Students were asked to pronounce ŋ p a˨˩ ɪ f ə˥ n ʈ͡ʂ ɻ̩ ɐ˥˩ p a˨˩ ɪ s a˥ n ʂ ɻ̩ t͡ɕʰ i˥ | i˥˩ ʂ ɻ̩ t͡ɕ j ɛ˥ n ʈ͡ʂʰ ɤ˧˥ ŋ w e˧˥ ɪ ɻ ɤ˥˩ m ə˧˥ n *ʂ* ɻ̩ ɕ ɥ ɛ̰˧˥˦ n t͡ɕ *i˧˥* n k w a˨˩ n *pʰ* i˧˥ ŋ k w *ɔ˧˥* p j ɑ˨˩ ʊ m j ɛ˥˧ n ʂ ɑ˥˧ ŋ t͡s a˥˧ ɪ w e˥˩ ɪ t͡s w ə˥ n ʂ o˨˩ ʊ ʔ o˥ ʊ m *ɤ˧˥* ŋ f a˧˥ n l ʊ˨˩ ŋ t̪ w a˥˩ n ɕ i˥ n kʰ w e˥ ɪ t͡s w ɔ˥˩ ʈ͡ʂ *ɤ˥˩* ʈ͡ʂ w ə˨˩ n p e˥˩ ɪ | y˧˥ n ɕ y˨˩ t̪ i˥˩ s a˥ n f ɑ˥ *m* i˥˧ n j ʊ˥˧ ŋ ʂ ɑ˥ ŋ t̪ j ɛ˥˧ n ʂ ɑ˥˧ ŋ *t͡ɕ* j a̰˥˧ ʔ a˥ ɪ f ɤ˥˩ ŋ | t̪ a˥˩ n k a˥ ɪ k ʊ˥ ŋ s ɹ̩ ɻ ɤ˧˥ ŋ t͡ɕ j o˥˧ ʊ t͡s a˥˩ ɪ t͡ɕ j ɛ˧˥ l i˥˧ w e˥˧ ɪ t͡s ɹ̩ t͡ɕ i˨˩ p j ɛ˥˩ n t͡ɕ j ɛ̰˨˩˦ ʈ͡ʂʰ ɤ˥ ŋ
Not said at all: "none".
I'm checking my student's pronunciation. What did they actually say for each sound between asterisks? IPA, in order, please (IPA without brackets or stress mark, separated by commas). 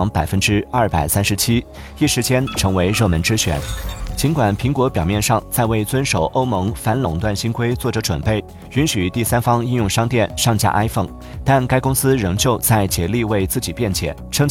ʈ͡ʂ, i˧˥, pʰ, ɔ˧˥, ɤ˧˥, ɤ˧˥, ŋ, t͡ɕ